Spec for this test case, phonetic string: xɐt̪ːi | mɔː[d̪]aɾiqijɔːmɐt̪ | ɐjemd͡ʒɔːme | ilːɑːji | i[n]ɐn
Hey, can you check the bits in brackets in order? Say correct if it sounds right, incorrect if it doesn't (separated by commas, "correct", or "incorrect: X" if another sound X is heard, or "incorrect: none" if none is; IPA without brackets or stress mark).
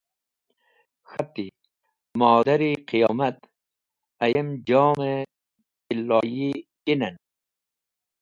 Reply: correct, correct